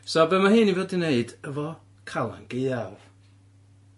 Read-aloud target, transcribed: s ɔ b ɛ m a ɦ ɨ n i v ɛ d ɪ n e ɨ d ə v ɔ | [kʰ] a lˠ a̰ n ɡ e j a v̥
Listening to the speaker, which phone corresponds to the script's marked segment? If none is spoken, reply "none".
kʰ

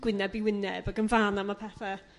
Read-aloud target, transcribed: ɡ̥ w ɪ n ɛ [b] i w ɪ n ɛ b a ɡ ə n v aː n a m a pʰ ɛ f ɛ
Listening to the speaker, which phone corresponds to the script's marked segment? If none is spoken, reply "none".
b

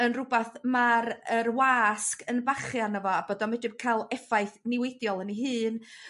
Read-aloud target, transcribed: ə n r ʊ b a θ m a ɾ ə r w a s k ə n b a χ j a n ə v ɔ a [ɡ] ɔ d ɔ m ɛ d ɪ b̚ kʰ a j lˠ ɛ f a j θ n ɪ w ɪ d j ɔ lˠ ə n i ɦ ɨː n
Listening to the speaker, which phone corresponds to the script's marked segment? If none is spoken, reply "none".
b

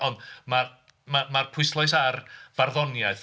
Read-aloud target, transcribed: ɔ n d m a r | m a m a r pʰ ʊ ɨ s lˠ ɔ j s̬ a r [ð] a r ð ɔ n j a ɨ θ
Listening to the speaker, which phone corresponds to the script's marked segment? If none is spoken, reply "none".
v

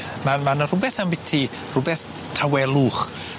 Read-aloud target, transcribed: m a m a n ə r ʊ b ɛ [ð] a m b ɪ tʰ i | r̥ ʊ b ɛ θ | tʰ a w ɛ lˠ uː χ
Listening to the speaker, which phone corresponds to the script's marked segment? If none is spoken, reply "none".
θ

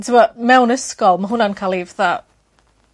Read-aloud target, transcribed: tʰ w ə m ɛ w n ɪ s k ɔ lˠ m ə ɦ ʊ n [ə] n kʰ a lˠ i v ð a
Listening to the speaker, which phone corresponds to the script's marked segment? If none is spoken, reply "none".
a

